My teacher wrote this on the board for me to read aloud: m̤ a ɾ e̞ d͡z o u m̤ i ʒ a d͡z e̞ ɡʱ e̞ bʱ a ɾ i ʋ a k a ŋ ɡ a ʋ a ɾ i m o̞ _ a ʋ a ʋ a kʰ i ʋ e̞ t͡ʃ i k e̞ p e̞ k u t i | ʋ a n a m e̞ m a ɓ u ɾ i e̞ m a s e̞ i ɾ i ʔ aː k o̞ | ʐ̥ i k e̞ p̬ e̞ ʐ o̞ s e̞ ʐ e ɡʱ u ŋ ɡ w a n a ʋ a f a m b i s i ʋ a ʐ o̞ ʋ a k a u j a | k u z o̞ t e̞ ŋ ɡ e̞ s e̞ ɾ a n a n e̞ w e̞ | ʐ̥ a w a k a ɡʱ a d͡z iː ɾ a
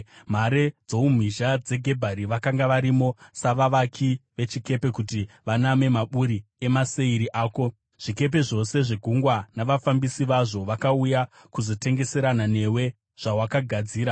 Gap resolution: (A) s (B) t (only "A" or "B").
A